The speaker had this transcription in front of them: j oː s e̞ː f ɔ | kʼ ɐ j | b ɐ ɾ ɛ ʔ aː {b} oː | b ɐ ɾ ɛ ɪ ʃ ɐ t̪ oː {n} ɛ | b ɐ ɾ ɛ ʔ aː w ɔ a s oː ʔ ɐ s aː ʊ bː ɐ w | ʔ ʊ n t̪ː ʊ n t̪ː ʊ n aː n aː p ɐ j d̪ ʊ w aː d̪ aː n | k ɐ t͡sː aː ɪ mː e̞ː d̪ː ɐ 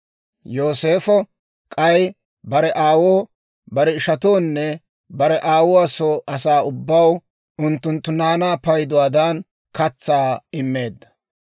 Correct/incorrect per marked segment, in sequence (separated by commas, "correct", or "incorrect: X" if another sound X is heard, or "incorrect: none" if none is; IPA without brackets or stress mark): incorrect: w, incorrect: nː